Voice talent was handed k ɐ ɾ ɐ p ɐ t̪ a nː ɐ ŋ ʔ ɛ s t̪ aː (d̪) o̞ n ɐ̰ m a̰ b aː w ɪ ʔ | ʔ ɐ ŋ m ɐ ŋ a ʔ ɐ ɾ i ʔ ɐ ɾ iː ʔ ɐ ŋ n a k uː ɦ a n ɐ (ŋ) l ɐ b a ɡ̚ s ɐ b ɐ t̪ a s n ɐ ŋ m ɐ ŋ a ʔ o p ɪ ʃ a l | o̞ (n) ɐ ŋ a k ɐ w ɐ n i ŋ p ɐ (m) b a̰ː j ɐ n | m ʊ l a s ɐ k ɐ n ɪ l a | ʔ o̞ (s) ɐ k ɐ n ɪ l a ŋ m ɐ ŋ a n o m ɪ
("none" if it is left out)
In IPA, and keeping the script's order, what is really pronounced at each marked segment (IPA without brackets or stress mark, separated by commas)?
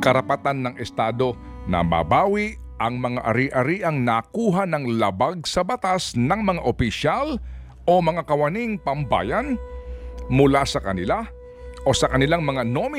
d̪, ŋ, m, m, s